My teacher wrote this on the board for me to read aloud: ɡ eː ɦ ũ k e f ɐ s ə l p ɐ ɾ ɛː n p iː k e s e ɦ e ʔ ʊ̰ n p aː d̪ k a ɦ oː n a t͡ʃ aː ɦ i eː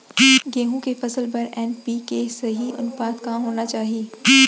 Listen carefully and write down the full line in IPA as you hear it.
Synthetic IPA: ɡ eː ɦ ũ k e f ɐ s ə l p ɐ ɾ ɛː n p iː k e s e ɦ i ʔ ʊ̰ n p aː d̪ k a ɦ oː n a t͡ʃ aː ɦ i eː